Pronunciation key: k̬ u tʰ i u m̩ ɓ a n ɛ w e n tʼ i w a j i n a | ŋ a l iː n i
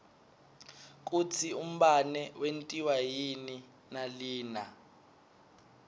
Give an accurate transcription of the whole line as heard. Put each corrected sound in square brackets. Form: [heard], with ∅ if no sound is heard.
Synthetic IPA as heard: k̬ u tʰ i u m̩ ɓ a n ɛ w e n tʼ i w a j i n [i] | [n] a l iː n [a]